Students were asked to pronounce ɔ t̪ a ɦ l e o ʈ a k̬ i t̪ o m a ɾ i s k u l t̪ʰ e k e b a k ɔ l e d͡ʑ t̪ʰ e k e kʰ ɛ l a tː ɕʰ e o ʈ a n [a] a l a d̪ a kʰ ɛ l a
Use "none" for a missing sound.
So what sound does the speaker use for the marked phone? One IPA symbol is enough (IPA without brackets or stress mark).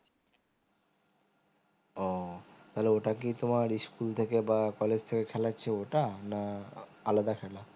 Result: a